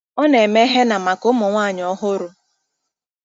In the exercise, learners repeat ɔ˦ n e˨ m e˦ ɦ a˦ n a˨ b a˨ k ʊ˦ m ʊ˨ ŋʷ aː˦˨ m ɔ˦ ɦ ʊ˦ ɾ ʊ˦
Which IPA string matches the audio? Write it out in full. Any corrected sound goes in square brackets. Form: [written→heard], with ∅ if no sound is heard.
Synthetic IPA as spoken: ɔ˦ n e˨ m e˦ ɦ [a˦→e˦] n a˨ [b→m] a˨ k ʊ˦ m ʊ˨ ŋʷ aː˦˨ [m→ɲ] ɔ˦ ɦ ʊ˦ ɾ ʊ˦

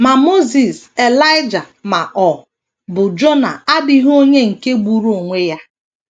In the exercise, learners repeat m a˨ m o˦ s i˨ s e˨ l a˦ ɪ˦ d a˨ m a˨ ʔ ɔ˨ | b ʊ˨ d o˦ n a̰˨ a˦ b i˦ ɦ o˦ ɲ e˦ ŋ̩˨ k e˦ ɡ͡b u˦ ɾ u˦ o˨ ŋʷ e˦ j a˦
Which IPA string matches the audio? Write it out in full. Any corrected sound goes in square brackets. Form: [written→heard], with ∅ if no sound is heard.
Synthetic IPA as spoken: m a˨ m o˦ [s→z] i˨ s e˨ l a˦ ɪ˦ [d→d͡ʒ] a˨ m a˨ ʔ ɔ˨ | b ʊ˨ [d→d͡ʒ] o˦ n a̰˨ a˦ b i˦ ɦ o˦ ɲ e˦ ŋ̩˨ k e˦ ɡ͡b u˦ ɾ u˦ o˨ ŋʷ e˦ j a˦

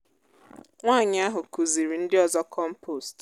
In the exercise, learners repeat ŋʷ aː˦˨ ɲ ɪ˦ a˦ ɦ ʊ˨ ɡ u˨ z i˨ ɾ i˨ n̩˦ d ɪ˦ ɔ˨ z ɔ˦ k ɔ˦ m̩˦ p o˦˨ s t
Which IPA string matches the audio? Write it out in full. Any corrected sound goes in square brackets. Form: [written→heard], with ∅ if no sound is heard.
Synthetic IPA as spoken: ŋʷ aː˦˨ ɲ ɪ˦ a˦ ɦ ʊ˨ [ɡ→k] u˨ z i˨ ɾ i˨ n̩˦ d ɪ˦ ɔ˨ z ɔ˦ k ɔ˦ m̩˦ p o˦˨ s t

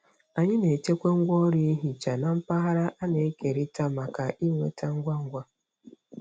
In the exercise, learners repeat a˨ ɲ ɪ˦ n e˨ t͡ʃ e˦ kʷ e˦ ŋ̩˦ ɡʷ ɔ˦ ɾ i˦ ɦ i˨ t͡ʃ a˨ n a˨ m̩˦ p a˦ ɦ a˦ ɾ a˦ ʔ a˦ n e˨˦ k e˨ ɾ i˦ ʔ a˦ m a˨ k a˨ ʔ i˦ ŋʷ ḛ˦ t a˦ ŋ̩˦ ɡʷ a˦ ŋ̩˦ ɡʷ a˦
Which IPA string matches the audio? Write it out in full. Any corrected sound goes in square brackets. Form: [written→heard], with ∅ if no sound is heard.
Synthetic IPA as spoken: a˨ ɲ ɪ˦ n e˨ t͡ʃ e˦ kʷ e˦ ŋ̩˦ ɡʷ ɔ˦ ɾ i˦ ɦ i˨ t͡ʃ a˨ n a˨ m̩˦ p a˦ ɦ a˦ ɾ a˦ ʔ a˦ n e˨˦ k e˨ ɾ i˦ [ʔ→t] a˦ m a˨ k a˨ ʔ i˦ ŋʷ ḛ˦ t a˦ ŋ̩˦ ɡʷ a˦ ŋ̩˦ ɡʷ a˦

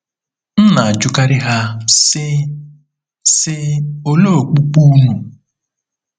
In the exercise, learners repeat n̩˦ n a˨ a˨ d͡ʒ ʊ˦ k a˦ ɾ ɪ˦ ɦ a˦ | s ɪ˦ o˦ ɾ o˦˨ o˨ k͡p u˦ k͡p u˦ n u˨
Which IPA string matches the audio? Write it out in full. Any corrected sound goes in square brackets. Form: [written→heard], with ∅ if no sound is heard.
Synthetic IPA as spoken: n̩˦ n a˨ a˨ d͡ʒ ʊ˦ k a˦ ɾ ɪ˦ ɦ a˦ | s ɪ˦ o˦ [ɾ→l] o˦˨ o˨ k͡p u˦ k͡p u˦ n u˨

